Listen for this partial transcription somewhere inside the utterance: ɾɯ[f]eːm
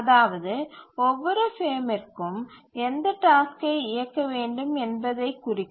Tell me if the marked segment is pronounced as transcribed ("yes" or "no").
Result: yes